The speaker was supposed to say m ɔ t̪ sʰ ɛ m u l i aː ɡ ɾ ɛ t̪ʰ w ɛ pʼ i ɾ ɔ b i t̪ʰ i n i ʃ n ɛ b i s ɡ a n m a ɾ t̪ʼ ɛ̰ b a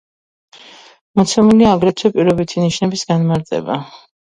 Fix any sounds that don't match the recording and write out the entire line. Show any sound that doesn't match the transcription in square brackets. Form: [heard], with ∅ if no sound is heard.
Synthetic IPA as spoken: m ɔ t̪ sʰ ɛ m u l i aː ɡ ɾ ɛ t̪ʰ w ɛ pʼ i ɾ ɔ b i t̪ʰ i n i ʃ n ɛ b i s ɡ a n m a ɾ t̪ʼ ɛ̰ b a